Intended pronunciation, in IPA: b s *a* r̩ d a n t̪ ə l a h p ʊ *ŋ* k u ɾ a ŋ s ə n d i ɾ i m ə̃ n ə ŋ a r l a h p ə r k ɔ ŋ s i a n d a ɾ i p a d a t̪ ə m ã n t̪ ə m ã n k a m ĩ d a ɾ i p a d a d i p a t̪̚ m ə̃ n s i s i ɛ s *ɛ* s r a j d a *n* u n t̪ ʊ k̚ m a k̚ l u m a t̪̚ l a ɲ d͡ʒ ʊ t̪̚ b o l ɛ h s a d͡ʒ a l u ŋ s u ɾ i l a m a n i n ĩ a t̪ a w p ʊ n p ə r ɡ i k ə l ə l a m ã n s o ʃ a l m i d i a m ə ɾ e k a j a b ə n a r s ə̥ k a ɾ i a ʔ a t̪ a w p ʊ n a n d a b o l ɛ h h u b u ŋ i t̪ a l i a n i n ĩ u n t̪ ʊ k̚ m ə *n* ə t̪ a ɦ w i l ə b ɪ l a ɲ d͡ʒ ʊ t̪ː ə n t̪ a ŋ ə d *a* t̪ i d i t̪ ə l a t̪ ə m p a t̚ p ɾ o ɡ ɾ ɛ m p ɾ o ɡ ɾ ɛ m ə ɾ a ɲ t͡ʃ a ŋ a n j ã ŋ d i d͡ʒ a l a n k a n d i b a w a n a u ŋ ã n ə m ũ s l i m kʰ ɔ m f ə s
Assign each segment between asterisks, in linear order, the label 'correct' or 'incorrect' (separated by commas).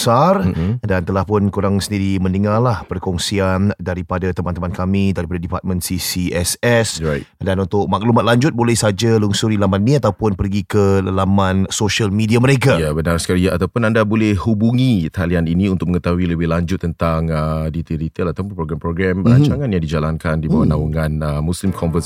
correct, incorrect, correct, correct, incorrect, incorrect